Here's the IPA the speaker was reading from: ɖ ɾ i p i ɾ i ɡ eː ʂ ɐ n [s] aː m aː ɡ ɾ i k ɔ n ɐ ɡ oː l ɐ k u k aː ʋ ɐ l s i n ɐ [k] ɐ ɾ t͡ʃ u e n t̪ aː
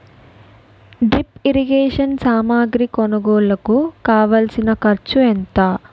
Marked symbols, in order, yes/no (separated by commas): yes, yes